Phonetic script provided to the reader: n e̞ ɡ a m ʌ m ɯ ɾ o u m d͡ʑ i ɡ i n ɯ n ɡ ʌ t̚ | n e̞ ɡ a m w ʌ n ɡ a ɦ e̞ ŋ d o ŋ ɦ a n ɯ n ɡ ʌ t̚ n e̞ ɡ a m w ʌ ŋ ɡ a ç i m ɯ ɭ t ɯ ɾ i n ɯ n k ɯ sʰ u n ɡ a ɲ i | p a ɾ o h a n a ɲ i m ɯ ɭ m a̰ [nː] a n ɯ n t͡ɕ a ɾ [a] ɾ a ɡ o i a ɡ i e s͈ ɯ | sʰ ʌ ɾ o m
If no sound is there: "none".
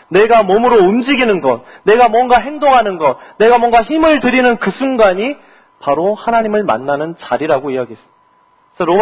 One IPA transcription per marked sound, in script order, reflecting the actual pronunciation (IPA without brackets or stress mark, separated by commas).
nː, i